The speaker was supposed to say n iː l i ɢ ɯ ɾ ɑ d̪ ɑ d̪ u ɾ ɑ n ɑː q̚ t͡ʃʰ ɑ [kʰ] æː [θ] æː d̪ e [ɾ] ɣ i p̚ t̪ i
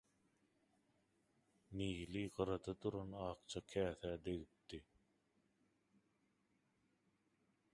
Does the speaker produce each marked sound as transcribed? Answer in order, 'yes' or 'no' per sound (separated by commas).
yes, yes, no